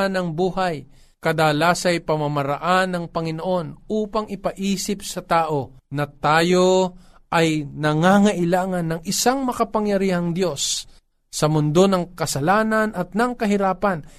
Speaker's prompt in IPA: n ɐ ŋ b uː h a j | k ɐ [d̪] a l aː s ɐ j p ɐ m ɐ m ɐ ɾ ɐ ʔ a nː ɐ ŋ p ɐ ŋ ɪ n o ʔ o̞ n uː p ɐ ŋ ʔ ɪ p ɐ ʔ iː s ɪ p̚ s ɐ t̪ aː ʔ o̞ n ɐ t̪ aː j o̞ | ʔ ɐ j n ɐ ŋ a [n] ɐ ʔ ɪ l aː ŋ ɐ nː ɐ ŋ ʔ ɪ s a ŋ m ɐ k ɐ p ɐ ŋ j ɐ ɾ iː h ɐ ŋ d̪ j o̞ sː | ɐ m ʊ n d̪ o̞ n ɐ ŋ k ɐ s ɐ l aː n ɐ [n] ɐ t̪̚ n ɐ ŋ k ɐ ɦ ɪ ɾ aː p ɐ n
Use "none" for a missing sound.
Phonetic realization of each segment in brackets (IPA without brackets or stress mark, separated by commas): d̪, ŋ, n